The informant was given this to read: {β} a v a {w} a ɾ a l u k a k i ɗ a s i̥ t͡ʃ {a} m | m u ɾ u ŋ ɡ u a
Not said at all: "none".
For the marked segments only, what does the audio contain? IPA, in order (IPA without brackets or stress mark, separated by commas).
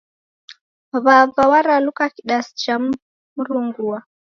β, w, a